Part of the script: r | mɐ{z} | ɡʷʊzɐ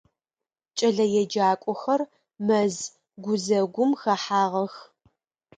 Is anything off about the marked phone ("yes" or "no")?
no